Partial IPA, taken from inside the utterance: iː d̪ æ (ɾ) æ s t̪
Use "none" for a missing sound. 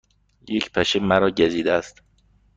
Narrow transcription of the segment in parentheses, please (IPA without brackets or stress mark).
none